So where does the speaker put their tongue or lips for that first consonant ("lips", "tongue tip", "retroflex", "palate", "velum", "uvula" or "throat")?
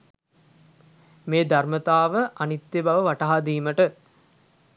lips